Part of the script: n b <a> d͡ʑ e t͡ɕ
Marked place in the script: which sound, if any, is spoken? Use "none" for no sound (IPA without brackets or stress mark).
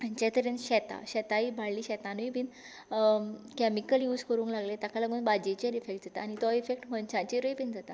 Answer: a